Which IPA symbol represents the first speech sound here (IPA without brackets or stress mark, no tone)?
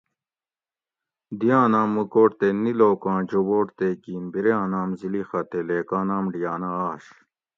d̪